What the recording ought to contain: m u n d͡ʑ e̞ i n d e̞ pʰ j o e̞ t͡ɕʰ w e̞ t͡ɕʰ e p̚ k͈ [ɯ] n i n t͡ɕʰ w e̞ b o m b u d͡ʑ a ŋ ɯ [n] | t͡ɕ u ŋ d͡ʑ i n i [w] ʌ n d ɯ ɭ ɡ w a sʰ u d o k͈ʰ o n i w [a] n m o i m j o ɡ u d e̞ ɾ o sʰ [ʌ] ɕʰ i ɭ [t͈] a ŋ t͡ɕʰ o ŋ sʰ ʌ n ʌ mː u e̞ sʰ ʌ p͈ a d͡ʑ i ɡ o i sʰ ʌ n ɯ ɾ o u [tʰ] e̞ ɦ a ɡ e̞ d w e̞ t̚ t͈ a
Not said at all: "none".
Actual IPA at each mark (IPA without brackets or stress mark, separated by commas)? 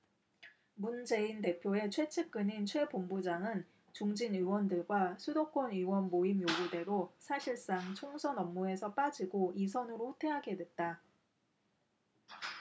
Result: ɯ, n, w, ʌ, a, s͈, tʰ